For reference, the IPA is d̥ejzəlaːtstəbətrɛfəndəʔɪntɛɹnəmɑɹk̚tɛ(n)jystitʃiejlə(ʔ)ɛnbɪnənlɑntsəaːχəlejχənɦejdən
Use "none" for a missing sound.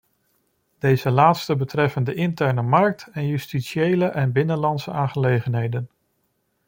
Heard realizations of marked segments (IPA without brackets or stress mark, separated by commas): n, ʔ